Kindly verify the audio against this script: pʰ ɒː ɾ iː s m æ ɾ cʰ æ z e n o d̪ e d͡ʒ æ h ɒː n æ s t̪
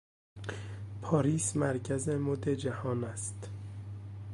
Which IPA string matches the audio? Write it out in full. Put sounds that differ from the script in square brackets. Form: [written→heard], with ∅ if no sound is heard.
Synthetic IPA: pʰ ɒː ɾ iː s m æ ɾ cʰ æ z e [n→m] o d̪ e d͡ʒ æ h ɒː n æ s t̪